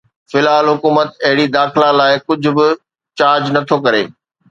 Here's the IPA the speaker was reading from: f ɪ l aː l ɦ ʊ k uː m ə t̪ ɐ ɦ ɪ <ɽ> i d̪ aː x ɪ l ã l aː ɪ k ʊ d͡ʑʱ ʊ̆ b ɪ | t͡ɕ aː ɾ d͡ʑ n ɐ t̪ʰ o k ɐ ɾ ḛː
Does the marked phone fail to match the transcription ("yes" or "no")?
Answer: no